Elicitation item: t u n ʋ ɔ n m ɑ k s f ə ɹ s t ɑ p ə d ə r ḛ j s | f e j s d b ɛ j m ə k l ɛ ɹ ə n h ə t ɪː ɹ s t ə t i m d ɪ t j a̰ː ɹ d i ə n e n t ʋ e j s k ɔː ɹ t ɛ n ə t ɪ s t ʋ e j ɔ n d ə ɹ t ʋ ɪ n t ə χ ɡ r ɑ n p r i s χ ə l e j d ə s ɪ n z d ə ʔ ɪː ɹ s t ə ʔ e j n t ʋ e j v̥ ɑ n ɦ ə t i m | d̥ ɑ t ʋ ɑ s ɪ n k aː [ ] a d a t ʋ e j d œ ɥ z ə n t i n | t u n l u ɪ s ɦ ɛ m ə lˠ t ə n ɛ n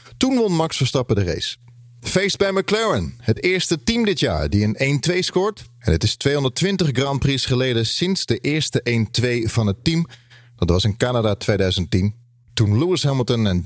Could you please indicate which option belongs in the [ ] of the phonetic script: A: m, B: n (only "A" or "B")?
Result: B